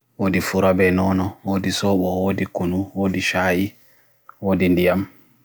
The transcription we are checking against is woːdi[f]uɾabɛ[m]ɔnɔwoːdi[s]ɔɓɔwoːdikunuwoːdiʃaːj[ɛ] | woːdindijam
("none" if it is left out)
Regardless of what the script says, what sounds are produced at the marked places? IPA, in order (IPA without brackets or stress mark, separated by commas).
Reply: f, n, s, i